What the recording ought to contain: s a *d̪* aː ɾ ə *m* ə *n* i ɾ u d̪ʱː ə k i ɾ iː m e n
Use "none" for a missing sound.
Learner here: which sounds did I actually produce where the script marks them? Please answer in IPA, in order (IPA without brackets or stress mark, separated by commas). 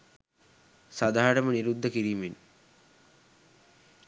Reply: d̪, m, n